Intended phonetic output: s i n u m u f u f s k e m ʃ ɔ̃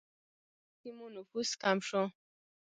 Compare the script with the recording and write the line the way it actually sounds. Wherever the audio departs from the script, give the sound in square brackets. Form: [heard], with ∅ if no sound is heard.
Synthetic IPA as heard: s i [m] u [n] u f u [∅] s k [a] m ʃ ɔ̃